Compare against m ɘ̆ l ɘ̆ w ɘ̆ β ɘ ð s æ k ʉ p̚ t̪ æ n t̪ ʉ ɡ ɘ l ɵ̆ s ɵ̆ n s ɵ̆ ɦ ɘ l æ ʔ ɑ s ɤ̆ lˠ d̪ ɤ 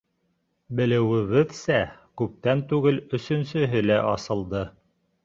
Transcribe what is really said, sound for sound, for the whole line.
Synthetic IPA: b ɘ̆ l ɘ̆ w ɘ̆ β ɘ ð s æ k ʉ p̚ t̪ æ n t̪ ʉ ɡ ɘ l ɵ̆ s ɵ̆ n s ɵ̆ ɦ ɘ l æ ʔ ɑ s ɤ̆ lˠ d̪ ɤ